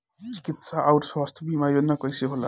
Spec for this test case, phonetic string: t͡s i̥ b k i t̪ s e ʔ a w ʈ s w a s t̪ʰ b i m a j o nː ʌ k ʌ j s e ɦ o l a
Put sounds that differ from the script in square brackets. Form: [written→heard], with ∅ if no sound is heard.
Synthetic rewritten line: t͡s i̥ [b→∅] k i t̪ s [e→a] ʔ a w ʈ s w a s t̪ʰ b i m a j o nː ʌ k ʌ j s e ɦ o l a